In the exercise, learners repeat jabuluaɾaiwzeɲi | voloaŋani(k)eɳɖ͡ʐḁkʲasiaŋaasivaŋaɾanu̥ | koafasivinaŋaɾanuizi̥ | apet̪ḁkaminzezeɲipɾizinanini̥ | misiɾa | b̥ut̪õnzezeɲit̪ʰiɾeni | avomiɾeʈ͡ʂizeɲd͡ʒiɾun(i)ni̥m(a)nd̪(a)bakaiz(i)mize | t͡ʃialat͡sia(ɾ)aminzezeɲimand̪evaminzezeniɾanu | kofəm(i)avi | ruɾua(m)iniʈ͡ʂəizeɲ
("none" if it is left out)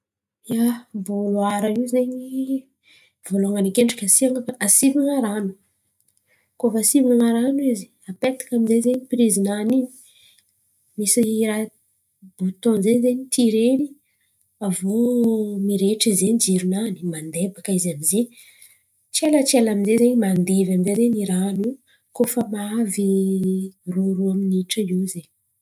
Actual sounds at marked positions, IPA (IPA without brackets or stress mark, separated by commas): k, a, a, e, a, l, a, m